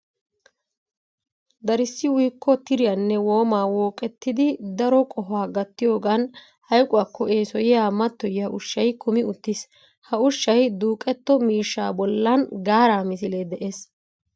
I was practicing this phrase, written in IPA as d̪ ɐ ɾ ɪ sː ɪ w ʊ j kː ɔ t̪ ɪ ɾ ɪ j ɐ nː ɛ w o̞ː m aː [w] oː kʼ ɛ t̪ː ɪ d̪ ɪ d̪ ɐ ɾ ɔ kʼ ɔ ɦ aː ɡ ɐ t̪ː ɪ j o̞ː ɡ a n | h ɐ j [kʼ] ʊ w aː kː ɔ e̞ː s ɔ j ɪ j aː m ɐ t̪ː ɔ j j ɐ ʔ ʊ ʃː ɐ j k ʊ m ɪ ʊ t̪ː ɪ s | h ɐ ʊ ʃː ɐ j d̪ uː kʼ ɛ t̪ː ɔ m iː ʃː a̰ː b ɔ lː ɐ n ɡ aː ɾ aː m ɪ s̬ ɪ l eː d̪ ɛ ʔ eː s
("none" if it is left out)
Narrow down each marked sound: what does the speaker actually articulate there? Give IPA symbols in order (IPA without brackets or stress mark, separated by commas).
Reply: w, kʼ